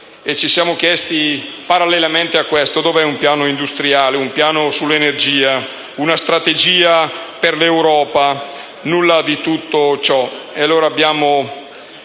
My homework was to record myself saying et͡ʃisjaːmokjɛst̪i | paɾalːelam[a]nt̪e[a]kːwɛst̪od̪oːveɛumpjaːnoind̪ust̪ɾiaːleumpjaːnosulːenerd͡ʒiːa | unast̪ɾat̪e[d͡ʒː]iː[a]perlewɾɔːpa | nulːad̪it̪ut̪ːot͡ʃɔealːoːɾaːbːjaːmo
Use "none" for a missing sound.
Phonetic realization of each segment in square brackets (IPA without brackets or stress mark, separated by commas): e, a, d͡ʒ, a